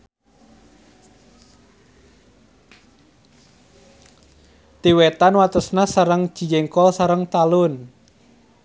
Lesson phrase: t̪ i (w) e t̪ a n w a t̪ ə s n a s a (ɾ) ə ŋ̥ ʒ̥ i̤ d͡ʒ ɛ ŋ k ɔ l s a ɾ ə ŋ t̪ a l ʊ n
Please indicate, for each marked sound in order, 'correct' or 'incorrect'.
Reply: correct, correct

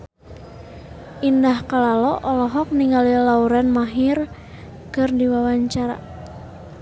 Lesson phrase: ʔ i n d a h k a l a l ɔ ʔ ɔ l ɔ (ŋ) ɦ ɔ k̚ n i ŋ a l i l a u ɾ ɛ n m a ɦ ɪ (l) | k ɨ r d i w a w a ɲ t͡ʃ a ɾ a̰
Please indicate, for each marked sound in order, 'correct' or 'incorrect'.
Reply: incorrect, incorrect

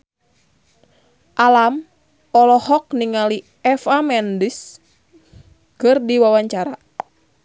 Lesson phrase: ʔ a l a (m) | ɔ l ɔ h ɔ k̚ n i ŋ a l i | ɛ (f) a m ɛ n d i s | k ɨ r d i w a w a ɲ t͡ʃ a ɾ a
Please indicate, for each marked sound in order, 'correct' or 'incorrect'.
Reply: correct, correct

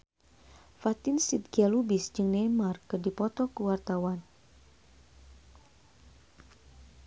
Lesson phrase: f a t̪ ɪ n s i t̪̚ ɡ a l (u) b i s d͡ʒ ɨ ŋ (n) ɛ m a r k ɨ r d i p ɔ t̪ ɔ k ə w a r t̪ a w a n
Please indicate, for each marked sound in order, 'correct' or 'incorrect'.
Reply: correct, correct

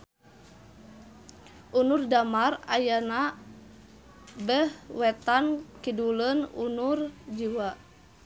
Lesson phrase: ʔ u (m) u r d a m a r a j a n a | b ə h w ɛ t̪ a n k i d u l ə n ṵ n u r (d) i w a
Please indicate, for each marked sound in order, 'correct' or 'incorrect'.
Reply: incorrect, incorrect

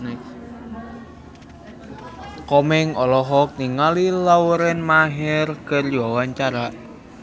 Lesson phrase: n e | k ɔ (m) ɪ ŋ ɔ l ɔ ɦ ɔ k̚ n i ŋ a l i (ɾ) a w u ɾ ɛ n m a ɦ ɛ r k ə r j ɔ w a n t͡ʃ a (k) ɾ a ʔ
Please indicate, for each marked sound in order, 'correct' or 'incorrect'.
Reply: correct, incorrect, incorrect

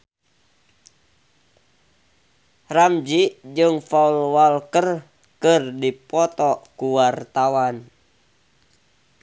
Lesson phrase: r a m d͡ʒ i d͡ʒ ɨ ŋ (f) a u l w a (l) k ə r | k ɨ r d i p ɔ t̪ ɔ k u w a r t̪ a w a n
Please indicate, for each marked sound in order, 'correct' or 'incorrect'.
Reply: correct, correct

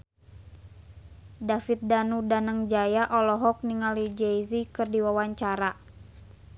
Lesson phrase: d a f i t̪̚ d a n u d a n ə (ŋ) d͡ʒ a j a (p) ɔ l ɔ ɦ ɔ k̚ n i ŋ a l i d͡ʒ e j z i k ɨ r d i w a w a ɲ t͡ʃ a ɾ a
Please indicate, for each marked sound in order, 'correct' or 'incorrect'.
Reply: correct, incorrect

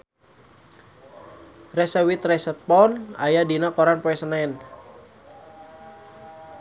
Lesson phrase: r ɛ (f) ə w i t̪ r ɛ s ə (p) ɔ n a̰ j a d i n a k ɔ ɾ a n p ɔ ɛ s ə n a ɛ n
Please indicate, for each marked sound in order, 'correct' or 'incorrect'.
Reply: incorrect, correct

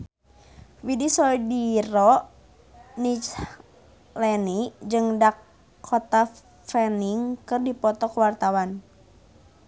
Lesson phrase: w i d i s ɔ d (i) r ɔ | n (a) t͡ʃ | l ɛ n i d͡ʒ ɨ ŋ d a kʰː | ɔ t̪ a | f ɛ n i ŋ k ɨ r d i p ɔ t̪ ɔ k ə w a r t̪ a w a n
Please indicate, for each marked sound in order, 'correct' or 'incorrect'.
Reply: correct, incorrect

